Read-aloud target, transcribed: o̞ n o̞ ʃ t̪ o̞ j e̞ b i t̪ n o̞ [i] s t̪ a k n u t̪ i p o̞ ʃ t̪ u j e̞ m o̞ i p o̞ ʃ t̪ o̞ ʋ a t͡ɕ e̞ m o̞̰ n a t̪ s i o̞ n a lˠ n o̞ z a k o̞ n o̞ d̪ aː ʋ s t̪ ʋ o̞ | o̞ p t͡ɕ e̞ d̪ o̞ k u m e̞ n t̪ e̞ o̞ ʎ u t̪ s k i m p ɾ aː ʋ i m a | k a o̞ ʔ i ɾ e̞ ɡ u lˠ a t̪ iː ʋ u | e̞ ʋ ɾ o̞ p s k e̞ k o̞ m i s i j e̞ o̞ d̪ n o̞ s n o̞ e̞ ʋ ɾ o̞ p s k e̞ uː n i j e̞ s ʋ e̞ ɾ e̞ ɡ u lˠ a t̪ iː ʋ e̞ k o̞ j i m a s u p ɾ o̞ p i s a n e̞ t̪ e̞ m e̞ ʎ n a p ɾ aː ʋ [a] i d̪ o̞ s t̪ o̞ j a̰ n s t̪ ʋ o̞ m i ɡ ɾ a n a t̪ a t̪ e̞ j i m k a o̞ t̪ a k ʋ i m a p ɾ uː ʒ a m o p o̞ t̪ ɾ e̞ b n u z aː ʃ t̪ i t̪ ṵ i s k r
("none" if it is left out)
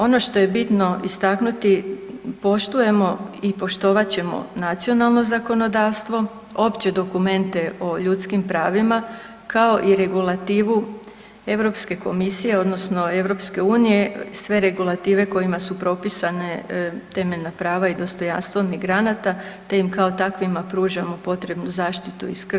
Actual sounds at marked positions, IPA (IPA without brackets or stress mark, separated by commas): i, a